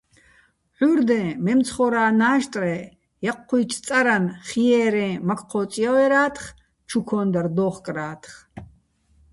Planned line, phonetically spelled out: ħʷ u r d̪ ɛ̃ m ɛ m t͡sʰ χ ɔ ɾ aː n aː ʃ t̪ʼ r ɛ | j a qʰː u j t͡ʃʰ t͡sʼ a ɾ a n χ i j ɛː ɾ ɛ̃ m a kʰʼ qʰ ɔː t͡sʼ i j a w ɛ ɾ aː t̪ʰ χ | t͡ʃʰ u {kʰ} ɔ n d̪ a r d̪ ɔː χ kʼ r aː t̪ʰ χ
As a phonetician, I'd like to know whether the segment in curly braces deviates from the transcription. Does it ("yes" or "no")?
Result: no